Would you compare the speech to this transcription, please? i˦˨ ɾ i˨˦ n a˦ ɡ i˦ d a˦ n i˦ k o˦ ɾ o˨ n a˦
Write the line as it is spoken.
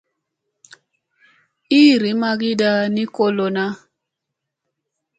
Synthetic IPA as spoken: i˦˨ ɾ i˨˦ m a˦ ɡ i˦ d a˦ n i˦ k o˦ l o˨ n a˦